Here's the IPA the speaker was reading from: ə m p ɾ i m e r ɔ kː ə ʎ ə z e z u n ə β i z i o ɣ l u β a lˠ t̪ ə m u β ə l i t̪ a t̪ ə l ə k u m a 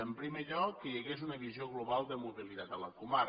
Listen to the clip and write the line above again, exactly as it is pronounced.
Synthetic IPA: ə m p ɾ i m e ʎ ɔ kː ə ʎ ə ɣ e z u n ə β i z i o ɣ l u β a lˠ d̪ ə m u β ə l i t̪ a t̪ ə l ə k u m a